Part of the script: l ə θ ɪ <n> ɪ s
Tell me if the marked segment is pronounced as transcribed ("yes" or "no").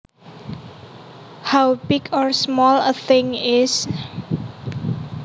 no